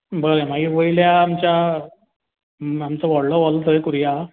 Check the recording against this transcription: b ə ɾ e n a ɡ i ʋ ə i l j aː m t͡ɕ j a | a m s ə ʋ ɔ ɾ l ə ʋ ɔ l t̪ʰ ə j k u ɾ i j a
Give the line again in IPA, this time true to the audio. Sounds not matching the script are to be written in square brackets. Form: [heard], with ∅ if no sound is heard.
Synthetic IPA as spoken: b ə ɾ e [m] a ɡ i ʋ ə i l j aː m t͡ɕ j a | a m [t͡s] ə ʋ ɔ [ɽ] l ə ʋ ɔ l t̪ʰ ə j k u ɾ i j a